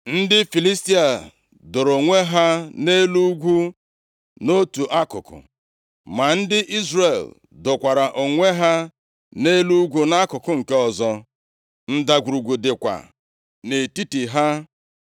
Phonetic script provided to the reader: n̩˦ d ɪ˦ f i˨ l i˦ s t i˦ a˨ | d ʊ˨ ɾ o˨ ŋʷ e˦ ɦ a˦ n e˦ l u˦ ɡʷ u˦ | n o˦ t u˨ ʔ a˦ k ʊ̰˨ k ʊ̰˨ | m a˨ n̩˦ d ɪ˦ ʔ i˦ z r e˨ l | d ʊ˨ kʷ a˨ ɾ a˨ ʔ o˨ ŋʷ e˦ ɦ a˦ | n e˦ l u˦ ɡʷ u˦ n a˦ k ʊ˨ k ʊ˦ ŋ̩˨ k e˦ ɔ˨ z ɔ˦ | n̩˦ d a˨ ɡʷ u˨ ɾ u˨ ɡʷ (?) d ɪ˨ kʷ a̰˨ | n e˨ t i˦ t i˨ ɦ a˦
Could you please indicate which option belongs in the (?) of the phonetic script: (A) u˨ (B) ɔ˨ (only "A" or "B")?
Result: A